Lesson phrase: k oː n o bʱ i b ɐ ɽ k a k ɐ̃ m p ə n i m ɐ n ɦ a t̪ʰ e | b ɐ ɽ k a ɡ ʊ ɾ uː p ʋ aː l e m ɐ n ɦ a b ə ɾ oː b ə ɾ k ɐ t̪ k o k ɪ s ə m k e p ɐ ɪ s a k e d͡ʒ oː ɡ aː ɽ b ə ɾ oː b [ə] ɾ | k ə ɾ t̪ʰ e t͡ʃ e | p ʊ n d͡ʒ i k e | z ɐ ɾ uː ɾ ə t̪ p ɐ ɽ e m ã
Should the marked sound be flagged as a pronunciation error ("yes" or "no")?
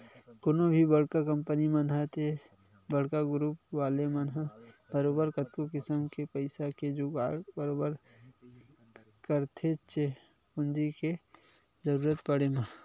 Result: no